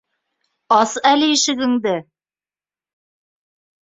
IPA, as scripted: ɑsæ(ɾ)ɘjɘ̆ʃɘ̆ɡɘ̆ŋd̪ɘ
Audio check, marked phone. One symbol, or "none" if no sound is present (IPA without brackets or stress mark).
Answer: l